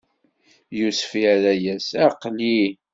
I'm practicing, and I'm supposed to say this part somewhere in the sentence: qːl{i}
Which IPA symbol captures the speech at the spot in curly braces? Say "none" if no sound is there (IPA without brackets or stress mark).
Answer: i